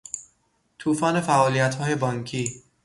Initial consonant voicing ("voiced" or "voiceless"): voiceless